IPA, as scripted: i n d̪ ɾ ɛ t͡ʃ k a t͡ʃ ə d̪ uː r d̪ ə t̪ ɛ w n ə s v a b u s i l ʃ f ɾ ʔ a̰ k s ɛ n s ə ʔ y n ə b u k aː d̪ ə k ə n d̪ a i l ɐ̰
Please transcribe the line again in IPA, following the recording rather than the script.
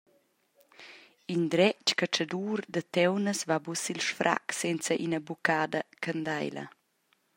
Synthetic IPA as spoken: i n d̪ ɾ ɛ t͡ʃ k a t͡ʃ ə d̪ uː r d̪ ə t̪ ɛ w n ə s v a b u s i l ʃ f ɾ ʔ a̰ k s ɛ n t͡s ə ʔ i n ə b u k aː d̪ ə k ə n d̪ a j l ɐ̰